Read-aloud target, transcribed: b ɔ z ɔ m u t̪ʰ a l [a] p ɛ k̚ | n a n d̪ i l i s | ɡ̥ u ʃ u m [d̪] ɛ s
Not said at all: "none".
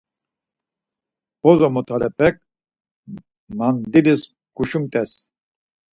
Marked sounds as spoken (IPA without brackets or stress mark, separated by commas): ɛ, t̪